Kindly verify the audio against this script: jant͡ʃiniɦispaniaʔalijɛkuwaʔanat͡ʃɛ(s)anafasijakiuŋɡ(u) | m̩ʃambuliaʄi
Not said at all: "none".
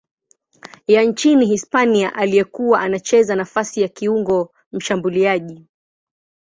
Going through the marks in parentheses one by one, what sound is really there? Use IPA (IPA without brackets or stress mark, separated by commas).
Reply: z, ɔ